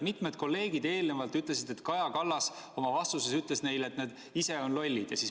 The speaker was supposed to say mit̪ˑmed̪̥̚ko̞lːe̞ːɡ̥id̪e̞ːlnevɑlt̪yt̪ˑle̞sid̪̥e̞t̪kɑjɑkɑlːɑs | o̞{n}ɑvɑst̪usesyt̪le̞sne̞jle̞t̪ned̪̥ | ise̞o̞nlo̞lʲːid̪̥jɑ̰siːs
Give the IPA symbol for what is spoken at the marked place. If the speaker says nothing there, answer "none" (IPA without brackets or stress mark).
m